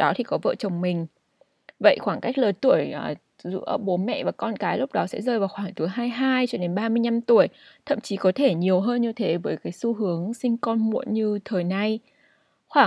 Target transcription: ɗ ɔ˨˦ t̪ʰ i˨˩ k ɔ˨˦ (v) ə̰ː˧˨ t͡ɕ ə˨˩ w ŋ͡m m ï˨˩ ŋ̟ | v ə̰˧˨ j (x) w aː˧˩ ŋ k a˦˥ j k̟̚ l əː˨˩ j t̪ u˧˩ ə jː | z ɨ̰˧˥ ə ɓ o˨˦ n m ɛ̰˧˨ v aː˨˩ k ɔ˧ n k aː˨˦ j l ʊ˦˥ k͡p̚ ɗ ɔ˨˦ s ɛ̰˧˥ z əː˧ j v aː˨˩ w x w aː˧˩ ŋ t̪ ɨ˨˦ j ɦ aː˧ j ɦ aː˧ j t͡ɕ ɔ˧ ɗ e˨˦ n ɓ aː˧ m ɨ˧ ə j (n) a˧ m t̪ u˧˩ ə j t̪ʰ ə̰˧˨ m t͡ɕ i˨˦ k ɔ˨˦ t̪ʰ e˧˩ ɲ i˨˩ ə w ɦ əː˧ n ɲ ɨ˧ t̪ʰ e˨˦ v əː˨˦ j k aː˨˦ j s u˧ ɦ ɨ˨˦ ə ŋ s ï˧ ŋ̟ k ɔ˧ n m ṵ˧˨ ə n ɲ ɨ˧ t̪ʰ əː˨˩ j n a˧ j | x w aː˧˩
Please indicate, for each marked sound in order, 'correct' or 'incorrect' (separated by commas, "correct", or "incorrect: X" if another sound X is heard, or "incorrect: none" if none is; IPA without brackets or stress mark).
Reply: correct, correct, incorrect: ɲ